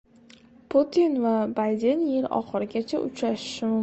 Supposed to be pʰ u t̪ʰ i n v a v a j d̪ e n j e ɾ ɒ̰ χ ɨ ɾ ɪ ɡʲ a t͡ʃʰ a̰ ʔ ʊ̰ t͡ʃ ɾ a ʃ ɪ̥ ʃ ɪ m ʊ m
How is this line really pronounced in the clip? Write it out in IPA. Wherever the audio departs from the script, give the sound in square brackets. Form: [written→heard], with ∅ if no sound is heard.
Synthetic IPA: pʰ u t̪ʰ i n v a [v→b] a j d̪ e n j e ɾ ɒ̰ χ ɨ ɾ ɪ ɡʲ a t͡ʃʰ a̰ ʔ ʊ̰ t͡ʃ ɾ a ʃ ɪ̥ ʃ ɪ m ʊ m